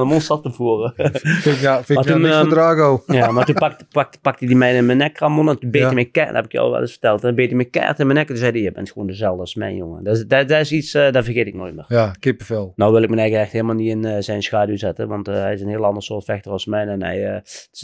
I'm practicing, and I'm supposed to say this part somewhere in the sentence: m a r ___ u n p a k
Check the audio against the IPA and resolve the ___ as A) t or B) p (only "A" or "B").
A